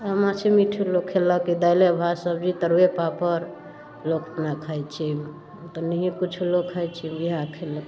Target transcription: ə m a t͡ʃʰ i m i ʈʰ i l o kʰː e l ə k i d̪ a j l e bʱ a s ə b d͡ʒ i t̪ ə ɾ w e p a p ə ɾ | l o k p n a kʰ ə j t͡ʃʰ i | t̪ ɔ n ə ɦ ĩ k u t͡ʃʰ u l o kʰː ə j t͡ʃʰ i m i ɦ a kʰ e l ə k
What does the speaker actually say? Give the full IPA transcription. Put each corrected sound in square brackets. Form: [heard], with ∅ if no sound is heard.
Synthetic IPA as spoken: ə m a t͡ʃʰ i m i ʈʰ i l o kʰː e l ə k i d̪ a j l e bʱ a s ə b d͡ʒ i t̪ ə ɾ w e p a p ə ɾ | l o k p n a kʰ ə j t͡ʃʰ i | t̪ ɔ n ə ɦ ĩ k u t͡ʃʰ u l o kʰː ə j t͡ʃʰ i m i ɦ a kʰ e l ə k